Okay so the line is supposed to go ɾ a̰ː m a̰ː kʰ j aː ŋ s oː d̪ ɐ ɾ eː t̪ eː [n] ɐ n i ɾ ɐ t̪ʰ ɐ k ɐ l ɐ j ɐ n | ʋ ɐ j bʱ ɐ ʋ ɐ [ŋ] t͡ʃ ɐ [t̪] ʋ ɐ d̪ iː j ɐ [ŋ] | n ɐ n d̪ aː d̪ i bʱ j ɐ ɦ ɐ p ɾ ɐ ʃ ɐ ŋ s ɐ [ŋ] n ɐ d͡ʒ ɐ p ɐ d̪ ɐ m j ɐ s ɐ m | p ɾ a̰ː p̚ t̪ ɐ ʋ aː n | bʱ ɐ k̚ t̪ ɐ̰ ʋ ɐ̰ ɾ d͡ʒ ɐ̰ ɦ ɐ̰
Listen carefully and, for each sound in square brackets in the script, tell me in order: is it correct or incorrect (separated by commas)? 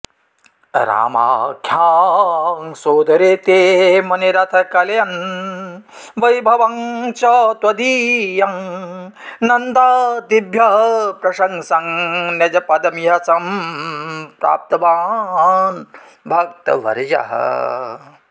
incorrect, correct, correct, correct, correct